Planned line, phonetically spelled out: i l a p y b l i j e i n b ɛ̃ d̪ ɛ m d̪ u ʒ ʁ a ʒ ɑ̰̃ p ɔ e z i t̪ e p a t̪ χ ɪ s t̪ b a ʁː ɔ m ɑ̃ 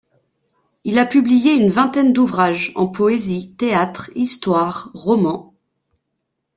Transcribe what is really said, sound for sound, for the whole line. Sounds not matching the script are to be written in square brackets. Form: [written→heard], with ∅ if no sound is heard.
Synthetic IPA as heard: i l a p y b l i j e [i→y] n [b→v] ɛ̃ [d̪→t̪] ɛ [m→n] d̪ u [ʒ→v] ʁ a ʒ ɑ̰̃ p ɔ e z i t̪ e [p→∅] a t̪ χ [ɪ→i] s t̪ [b→w] a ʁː ɔ m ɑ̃